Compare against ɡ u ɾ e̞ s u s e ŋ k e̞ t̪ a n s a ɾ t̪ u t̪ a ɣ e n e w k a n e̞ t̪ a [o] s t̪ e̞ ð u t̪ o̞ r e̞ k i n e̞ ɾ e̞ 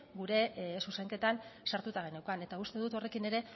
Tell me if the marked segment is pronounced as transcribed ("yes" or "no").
no